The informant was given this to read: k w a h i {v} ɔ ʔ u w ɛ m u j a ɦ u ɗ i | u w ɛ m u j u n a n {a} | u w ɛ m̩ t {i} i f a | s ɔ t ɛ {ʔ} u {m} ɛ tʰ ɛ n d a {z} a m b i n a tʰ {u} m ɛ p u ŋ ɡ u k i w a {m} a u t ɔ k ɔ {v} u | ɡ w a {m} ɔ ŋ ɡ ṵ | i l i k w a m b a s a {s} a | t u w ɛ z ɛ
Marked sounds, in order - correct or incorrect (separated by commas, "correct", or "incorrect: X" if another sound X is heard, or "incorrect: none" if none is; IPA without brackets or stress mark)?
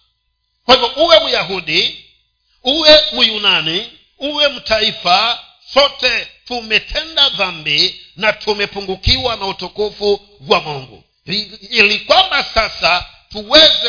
correct, incorrect: i, incorrect: a, incorrect: t, correct, incorrect: ð, correct, incorrect: n, incorrect: f, correct, correct